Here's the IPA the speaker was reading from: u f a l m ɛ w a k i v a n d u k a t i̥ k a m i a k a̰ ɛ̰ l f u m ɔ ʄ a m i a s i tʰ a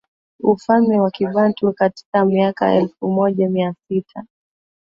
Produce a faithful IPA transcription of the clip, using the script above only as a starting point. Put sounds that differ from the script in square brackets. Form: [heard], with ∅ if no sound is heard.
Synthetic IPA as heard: u f a l m ɛ w a k i v a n [t] u k a t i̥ k a m i a k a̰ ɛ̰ l f u m ɔ ʄ a m i a s i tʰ a